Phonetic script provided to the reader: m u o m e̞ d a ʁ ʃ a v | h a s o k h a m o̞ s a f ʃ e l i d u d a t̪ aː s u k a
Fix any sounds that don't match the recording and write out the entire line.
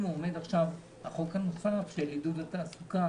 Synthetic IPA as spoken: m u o m e̞ d a χ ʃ a v | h a χ o k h a n o̞ s a f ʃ e l i d u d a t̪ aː s u k a